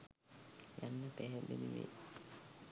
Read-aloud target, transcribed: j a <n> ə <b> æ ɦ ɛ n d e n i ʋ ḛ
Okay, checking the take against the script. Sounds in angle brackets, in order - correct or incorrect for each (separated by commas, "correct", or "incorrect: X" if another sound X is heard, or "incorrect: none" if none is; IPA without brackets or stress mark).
incorrect: nː, incorrect: p